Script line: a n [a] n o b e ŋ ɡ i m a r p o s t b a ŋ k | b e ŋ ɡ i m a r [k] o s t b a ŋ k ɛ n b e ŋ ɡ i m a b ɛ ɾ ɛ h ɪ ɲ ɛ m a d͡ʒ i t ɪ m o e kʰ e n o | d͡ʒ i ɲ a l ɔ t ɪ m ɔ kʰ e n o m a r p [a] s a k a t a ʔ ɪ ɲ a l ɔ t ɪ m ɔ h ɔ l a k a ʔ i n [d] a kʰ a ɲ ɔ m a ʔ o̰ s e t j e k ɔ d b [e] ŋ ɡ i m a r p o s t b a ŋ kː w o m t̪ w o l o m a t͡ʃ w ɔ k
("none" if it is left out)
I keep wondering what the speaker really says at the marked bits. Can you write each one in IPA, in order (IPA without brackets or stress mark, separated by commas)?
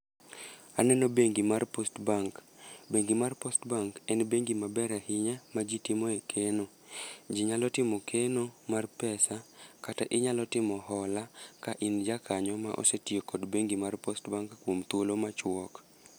ɛ, p, ɛ, d͡ʒ, e